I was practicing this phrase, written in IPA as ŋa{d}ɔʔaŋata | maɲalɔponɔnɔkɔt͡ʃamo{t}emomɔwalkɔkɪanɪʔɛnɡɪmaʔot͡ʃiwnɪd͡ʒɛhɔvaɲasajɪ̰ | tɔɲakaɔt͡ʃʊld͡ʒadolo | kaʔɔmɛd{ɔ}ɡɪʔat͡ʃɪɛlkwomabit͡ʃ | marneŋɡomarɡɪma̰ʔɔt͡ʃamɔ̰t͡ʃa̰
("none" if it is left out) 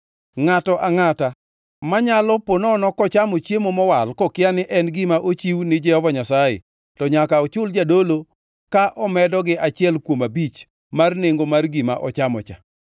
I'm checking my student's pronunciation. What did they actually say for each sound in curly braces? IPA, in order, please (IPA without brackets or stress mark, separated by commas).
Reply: t, t͡ʃ, ɔ